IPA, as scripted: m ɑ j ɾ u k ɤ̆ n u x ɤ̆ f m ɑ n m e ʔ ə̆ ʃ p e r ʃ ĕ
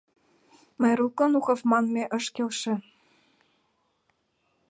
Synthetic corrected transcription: m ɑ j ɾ u k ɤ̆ n u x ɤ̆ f m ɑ n m e ʔ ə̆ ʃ k e l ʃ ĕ